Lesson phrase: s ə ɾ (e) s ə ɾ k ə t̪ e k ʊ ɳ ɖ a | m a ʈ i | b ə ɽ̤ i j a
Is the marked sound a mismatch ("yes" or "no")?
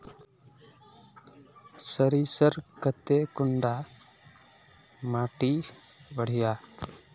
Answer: yes